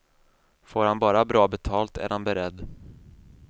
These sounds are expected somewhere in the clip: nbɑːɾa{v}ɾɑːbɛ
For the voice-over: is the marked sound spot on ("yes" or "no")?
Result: no